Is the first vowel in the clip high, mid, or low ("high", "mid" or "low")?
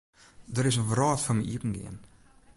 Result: mid